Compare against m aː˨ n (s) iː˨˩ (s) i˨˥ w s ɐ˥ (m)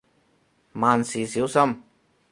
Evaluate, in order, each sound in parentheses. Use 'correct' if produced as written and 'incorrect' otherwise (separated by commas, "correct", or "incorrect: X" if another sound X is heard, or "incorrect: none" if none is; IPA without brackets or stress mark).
correct, correct, correct